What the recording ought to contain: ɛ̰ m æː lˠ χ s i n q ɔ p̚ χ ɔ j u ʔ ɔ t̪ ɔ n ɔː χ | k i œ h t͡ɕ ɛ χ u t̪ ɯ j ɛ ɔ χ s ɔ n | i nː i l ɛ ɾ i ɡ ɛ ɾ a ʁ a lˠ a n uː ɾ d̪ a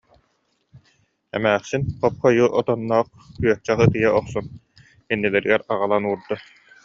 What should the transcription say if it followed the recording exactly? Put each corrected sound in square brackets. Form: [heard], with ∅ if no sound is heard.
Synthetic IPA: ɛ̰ m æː [∅] χ s i n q ɔ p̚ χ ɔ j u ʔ ɔ t̪ ɔ [nː] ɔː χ | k [y] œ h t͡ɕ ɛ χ [ɯ] t̪ ɯ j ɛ ɔ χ s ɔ n | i nː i l ɛ ɾ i ɡ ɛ ɾ a ʁ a lˠ a n uː ɾ d̪ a